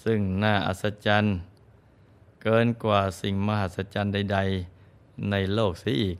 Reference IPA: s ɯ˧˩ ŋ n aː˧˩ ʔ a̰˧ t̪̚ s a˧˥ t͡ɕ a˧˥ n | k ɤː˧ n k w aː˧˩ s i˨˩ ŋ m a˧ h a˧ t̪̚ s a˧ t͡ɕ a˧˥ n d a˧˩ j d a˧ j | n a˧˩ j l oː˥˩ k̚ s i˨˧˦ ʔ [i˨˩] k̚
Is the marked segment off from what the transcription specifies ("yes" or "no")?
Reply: yes